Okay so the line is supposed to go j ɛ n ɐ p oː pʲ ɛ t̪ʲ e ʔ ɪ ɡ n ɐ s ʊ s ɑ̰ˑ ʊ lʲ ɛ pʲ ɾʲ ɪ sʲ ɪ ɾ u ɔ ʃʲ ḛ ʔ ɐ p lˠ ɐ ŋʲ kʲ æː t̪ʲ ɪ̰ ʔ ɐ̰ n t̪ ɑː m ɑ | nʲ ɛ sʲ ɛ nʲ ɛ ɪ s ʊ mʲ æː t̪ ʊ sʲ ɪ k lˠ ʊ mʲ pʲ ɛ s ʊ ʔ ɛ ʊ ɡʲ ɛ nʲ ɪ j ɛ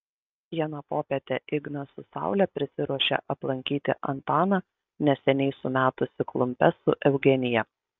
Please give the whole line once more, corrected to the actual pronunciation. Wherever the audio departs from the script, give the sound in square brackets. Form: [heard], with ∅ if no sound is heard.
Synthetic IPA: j ɛ n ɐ p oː pʲ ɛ t̪ʲ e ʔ ɪ ɡ n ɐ s ʊ s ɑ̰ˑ ʊ lʲ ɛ pʲ ɾʲ ɪ sʲ ɪ ɾ u ɔ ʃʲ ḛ ʔ ɐ p lˠ ɐ ŋʲ kʲ [iː] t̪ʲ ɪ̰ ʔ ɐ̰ n t̪ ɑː [n] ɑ | nʲ ɛ sʲ ɛ nʲ ɛ ɪ s ʊ mʲ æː t̪ ʊ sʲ ɪ k lˠ ʊ mʲ pʲ ɛ s ʊ ʔ ɛ ʊ ɡʲ ɛ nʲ ɪ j ɛ